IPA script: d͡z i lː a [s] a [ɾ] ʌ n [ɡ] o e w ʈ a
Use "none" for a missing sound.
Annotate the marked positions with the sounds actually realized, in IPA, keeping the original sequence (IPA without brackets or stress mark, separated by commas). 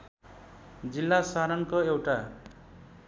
s, ɾ, k